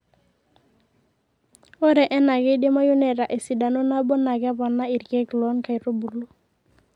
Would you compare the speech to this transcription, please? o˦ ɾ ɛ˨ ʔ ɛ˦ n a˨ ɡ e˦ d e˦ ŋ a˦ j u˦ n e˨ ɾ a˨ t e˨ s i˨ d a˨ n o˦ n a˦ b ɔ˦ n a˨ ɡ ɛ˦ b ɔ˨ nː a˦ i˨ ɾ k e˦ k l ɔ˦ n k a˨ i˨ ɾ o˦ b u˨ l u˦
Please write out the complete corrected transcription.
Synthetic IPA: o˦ ɾ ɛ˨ ʔ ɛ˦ n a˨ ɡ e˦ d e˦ m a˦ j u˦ n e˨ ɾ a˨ ʔ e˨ s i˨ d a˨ n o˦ n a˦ b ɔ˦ n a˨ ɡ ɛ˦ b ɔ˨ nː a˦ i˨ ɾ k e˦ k l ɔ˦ n k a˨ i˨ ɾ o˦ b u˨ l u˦